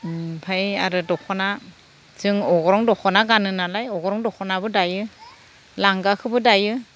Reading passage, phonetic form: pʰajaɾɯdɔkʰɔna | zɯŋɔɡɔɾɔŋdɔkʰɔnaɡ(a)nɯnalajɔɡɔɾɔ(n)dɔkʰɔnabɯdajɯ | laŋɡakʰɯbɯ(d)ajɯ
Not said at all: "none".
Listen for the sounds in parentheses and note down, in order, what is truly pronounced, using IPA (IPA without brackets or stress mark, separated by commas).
a, ŋ, d